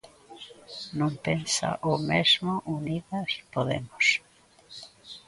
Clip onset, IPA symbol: n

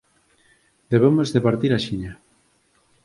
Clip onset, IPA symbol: d̪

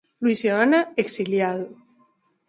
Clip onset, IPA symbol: l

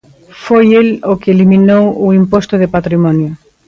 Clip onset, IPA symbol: f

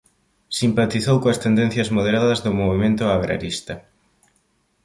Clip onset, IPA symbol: s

